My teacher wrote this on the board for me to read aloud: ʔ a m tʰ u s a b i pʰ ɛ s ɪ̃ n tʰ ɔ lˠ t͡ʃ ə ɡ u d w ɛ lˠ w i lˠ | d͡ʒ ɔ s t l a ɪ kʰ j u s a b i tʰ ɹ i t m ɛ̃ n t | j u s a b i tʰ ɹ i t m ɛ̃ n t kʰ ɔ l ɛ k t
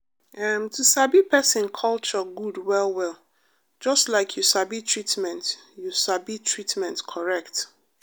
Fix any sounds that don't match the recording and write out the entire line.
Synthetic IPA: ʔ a m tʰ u s a b i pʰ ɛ s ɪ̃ n kʰ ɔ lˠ t͡ʃ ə ɡ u d w ɛ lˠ w ɛ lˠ | d͡ʒ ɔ s t l a ɪ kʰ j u s a b i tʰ ɹ i t m ɛ̃ n t | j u s a b i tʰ ɹ i t m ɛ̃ n t kʰ ɔ ɹ ɛ k t